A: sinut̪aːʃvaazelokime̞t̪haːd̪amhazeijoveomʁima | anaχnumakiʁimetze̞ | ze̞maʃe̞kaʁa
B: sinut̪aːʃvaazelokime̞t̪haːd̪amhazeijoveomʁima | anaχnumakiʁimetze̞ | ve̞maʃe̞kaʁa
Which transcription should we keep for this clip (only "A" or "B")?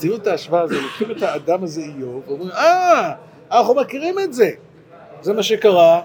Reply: A